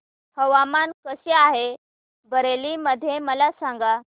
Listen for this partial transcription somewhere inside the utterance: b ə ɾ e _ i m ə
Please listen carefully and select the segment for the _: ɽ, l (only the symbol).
l